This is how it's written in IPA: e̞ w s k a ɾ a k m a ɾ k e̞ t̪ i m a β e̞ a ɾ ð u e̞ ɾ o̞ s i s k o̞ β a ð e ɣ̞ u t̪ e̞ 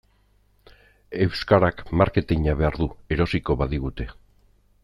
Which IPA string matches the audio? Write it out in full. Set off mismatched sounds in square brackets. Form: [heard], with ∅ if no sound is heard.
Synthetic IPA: e̞ w s k a ɾ a k m a ɾ k e̞ t̪ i [ɲ] a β e̞ a ɾ ð u e̞ ɾ o̞ s i [∅] k o̞ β a ð [i] ɣ̞ u t̪ e̞